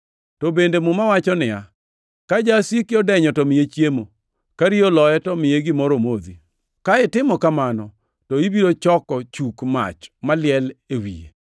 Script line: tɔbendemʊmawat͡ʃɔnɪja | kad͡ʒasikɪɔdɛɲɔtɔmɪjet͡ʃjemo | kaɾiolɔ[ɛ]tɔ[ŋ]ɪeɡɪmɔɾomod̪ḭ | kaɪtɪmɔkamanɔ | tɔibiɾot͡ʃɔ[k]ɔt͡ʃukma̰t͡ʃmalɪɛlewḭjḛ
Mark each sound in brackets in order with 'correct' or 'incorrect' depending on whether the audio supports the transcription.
correct, incorrect: m, correct

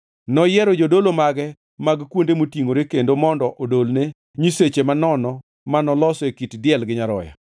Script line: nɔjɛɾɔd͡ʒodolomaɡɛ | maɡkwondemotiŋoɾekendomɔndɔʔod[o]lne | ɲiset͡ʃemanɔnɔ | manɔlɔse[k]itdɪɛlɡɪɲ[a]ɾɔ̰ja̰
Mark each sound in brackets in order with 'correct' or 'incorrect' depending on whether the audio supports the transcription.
correct, correct, correct

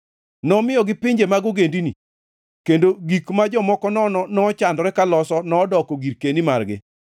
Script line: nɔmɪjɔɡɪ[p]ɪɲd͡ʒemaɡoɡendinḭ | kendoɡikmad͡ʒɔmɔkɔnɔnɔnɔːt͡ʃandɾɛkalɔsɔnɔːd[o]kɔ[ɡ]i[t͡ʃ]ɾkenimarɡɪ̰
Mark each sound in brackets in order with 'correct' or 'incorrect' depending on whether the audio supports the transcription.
correct, incorrect: ɔ, correct, incorrect: none

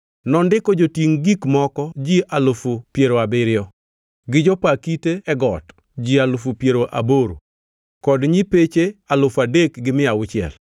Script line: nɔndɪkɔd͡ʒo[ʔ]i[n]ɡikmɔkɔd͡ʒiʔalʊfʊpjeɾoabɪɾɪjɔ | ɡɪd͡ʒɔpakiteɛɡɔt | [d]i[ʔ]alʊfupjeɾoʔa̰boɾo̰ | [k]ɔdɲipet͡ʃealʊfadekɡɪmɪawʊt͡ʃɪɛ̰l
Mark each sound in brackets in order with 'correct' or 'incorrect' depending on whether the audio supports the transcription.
incorrect: t, incorrect: ŋ, incorrect: d͡ʒ, incorrect: none, correct

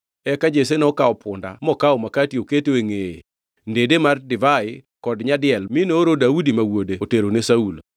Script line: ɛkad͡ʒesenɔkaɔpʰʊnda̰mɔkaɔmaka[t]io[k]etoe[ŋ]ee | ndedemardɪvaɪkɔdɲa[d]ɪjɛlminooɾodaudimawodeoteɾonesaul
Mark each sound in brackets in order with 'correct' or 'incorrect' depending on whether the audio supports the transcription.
correct, correct, correct, correct

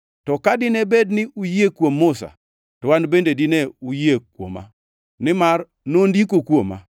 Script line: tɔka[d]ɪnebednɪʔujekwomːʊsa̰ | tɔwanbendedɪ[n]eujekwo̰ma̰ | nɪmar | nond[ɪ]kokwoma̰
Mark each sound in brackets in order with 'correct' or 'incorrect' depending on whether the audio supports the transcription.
correct, correct, incorrect: i

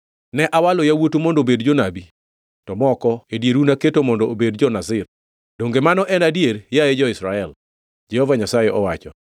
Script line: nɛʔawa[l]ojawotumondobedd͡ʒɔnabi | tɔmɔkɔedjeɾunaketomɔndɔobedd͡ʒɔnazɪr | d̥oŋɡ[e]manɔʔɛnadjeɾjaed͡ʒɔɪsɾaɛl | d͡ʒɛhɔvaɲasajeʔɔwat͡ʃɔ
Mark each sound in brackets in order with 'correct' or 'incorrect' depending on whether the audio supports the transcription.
correct, correct

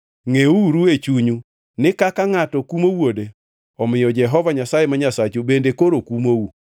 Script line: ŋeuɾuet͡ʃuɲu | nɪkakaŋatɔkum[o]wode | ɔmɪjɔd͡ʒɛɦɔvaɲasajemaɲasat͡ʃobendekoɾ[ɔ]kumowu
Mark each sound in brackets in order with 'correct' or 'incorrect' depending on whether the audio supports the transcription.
correct, incorrect: o

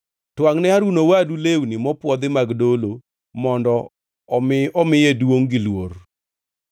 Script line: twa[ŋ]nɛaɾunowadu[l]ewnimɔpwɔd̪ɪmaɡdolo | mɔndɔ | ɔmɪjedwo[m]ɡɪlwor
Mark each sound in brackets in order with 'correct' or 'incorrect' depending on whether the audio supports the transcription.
correct, correct, incorrect: ŋ

